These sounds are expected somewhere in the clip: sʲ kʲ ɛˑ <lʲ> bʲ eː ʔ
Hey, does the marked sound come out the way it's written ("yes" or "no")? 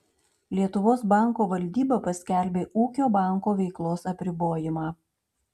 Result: yes